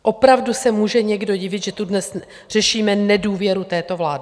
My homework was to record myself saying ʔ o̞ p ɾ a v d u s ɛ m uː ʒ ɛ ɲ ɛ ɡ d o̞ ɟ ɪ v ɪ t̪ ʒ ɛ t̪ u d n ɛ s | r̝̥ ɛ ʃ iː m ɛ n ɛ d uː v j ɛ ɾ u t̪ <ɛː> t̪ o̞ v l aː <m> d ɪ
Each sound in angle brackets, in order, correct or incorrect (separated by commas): correct, incorrect